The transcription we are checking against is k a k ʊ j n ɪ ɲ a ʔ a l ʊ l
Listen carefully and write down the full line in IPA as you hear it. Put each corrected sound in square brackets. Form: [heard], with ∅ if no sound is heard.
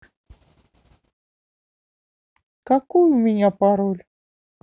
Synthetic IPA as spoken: k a k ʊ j [m] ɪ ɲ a [p] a [ɾ] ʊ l